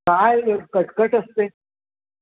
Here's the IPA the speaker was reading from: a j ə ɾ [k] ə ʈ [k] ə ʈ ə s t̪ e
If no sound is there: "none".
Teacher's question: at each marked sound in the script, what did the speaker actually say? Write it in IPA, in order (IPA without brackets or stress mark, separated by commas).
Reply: k, k